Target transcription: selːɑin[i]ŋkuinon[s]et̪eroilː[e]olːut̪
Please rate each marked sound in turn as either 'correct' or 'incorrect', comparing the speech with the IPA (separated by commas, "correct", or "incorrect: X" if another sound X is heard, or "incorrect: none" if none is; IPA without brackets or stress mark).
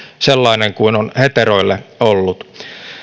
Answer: incorrect: e, incorrect: h, correct